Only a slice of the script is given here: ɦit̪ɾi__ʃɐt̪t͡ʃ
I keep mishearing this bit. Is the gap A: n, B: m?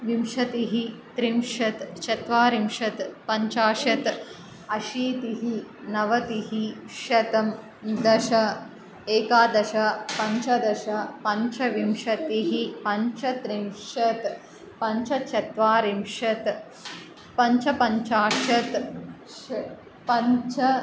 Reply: B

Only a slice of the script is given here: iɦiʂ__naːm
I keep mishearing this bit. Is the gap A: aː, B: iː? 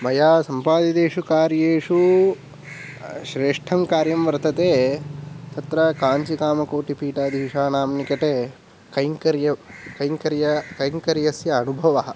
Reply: A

